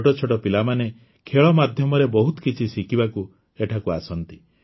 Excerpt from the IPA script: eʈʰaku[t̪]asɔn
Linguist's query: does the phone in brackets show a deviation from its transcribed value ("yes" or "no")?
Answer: yes